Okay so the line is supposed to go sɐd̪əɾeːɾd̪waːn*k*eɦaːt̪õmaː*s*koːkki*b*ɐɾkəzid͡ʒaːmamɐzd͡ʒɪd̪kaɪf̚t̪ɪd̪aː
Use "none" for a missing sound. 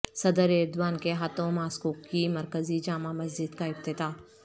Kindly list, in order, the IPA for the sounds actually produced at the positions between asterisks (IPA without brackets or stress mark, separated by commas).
k, s, m